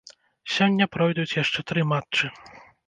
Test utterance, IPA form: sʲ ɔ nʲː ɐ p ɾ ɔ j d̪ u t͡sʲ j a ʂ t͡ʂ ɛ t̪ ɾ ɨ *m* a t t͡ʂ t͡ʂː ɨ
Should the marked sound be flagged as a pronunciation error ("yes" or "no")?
no